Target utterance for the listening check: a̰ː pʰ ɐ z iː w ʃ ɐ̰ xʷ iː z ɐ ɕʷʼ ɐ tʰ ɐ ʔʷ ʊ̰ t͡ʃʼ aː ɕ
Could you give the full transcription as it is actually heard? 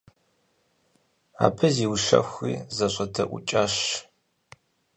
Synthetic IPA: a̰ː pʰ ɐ z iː w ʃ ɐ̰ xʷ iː z ɐ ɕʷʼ ɐ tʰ ɐ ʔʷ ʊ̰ t͡ʃʼ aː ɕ

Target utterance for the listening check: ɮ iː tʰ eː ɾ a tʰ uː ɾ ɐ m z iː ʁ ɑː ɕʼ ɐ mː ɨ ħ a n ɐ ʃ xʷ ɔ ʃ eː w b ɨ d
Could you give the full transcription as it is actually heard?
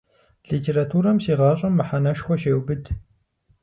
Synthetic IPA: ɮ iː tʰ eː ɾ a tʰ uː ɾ ɐ m s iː ʁ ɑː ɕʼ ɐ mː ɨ ħ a n ɐ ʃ xʷ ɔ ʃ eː w b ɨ d

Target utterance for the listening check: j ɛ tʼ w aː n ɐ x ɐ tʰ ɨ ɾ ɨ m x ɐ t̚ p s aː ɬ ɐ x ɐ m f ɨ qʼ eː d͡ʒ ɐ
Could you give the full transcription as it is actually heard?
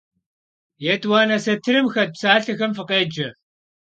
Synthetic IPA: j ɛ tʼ w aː n ɐ s ɐ tʰ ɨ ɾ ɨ m x ɐ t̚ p s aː ɬ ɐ x ɐ m f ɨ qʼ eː d͡ʒ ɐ

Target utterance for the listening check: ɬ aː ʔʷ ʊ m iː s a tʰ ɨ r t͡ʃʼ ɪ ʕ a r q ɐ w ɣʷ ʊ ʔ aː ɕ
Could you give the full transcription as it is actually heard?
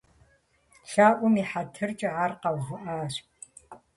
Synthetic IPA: ɬ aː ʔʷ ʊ m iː ħ a tʰ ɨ r t͡ʃʼ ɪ ʕ a r q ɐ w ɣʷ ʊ ʔ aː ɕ

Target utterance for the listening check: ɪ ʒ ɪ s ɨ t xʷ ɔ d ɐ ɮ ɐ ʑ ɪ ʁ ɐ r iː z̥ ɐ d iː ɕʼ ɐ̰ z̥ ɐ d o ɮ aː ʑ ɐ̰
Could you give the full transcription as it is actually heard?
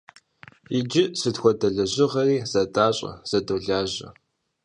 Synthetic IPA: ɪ d͡ʒ ɪ s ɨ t xʷ ɔ d ɐ ɮ ɐ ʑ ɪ ʁ ɐ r iː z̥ ɐ d aː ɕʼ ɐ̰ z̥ ɐ d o ɮ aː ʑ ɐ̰

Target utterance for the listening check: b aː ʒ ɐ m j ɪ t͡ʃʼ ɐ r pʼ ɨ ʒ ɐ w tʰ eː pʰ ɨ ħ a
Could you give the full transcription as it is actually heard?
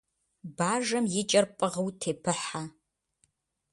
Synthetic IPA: b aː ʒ ɐ m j ɪ t͡ʃʼ ɐ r pʼ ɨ ʁ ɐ w tʰ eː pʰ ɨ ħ a

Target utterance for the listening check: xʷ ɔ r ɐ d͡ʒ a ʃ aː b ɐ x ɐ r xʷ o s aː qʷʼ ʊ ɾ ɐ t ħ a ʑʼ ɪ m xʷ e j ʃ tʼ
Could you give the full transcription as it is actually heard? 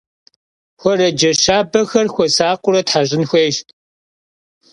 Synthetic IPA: xʷ ɔ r ɐ d͡ʒ ɐ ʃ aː b ɐ x ɐ r xʷ ɔ s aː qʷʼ ʊ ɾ ɐ t ħ a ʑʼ ɪ n xʷ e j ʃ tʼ

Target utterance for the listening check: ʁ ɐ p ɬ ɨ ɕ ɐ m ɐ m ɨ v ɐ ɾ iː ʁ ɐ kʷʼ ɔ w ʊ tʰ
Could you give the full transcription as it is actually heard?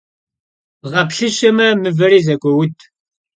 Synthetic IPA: ʁ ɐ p ɬ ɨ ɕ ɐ m ɐ m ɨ v ɐ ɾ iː z ɐ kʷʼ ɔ w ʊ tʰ

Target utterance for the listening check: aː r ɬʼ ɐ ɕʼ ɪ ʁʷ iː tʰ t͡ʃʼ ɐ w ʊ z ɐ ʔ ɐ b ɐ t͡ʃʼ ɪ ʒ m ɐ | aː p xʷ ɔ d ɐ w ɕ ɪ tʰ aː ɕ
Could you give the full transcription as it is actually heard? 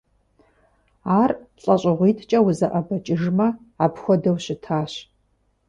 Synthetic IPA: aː r ɬʼ ɐ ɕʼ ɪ ʁʷ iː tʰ t͡ʃʼ ɐ w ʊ z ɐ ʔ ɐ b ɐ t͡ʃʼ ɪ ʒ m ɐ | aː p xʷ ɔ d ɐ w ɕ ɪ tʰ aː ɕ

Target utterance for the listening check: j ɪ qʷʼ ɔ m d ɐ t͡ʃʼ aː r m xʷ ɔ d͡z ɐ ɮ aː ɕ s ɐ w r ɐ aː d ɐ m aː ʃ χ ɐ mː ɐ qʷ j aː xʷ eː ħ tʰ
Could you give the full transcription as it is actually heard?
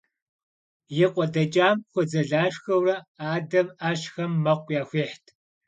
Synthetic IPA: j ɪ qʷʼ ɔ d ɐ t͡ʃʼ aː m xʷ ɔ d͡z ɐ ɮ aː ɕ x ɐ w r ɐ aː d ɐ m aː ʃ x ɐ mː ɐ qʷ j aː xʷ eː ħ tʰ

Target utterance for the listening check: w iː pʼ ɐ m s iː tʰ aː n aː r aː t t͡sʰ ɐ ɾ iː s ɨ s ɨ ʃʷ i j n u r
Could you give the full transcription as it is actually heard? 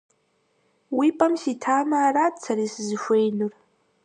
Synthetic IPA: w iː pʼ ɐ m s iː tʰ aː m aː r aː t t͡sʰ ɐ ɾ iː s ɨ z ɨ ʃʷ e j n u r

